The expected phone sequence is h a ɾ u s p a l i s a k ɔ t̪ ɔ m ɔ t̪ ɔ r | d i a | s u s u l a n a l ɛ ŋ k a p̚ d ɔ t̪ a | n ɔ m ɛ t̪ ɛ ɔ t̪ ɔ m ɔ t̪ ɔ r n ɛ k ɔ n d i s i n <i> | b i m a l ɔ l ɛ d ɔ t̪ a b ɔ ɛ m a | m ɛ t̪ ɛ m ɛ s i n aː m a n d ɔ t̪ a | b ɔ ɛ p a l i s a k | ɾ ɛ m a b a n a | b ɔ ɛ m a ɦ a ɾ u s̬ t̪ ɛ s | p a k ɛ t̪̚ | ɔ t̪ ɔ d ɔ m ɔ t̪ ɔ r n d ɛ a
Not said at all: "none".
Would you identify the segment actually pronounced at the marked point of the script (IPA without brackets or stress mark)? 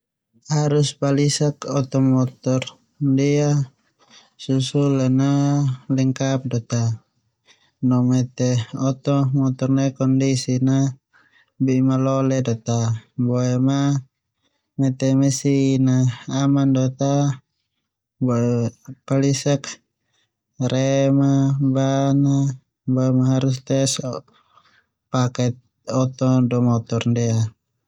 a